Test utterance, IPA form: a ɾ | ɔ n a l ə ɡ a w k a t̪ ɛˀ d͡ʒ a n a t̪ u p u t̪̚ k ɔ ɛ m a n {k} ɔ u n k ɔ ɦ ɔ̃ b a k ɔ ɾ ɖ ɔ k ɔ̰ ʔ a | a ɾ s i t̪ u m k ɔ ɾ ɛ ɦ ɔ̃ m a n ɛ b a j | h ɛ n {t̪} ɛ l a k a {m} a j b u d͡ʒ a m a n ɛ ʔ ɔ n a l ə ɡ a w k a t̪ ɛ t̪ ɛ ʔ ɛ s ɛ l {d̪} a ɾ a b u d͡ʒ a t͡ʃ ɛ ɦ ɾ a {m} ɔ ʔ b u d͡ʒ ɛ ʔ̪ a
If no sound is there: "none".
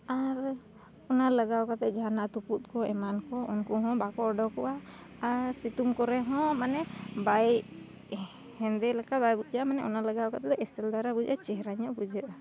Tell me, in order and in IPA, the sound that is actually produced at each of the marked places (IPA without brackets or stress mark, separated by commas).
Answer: k, d̪, b, d̪, ɲ